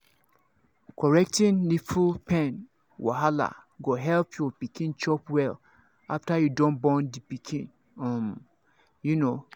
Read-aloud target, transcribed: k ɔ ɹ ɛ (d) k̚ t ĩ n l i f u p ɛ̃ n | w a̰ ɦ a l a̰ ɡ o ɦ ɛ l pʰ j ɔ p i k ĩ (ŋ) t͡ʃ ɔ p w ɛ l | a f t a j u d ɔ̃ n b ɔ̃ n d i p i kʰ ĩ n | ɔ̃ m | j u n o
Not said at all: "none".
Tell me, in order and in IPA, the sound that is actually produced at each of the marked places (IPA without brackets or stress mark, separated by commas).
none, n